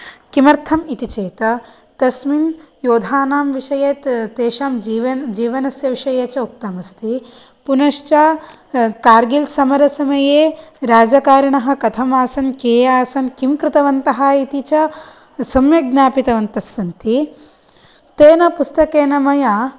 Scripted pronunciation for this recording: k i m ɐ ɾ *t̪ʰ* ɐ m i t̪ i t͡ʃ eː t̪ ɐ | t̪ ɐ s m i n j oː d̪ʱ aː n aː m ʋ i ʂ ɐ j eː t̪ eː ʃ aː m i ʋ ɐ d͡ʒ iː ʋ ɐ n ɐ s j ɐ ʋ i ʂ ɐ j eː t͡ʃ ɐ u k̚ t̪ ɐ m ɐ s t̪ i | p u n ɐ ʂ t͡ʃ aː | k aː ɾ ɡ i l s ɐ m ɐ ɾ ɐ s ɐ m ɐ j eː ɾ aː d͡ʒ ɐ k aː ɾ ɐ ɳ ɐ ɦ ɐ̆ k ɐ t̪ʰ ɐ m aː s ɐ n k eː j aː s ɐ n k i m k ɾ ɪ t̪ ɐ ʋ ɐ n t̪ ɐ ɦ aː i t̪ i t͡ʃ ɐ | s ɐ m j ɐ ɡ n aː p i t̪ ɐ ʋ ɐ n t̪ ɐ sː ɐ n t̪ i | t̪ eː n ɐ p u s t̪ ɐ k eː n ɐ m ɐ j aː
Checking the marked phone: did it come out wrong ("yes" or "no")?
no